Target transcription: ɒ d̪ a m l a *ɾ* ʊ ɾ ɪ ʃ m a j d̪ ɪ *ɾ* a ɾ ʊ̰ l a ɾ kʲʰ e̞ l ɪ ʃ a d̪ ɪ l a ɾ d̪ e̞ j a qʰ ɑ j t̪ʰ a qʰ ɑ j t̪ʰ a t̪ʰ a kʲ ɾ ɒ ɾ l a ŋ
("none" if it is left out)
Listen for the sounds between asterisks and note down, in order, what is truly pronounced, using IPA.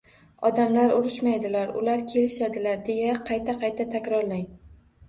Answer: ɾ, l

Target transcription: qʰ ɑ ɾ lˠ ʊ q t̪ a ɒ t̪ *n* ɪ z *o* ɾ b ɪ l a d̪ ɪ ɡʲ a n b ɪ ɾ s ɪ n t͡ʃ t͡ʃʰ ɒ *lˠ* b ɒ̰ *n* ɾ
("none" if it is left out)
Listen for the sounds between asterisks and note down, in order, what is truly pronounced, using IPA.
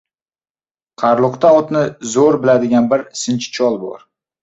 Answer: n, o, lˠ, none

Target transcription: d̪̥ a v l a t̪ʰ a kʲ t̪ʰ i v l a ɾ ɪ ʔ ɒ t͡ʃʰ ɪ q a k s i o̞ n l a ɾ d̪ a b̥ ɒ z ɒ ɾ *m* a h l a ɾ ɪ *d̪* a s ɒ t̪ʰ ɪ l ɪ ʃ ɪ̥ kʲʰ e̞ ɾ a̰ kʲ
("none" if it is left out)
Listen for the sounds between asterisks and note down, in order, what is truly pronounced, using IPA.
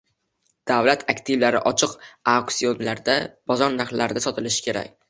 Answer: n, d̪

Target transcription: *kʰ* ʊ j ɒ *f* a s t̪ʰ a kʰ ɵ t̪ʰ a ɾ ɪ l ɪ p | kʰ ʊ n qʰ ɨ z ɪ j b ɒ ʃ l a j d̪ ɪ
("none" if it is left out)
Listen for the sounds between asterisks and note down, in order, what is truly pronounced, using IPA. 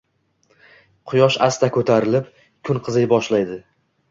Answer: qʰ, ʃ

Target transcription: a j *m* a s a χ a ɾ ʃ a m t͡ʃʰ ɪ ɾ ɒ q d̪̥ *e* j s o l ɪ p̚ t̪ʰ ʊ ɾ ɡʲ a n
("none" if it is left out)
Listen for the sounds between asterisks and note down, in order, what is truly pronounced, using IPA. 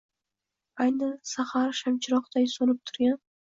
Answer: n, a

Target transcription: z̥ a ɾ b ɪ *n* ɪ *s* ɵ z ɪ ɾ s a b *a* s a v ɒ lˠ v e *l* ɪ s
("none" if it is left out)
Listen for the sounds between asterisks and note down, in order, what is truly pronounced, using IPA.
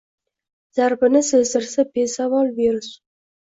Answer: n, s, e, ɾ

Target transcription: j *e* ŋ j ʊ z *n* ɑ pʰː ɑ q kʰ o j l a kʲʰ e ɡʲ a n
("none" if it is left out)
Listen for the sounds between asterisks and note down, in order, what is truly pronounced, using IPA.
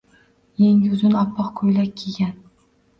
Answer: e, n

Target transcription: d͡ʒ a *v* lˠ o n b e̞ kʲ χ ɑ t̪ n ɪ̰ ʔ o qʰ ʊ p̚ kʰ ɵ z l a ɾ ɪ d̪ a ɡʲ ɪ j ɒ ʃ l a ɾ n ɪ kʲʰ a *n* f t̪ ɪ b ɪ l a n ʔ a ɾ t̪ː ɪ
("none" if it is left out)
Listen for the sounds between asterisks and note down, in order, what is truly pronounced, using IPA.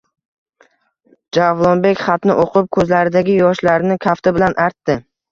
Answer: v, none

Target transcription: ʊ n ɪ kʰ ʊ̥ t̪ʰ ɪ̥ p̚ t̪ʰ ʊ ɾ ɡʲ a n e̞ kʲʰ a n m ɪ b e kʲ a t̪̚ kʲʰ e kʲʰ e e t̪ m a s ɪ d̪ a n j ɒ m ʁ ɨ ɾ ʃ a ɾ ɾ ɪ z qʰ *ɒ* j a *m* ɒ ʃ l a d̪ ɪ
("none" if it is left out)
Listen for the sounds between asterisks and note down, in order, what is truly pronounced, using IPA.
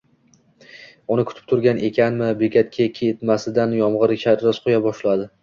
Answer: o, b

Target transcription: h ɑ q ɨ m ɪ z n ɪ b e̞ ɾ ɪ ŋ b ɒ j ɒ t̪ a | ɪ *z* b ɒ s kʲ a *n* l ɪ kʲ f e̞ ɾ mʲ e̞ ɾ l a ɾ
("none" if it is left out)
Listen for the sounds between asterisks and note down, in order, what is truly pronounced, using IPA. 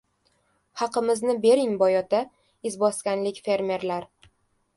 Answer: z, n

